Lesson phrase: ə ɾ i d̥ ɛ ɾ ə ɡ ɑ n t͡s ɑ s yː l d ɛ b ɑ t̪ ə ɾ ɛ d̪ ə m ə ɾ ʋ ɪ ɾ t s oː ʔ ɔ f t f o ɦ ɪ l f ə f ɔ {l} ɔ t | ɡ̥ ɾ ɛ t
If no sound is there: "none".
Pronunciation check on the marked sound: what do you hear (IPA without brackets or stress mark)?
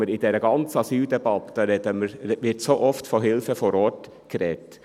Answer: ɾ